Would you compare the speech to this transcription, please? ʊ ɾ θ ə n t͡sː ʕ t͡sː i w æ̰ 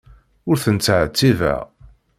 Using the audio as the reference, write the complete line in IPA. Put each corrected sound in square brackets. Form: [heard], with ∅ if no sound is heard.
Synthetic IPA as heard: ʊ ɾ θ ə n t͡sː ʕ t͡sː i [v] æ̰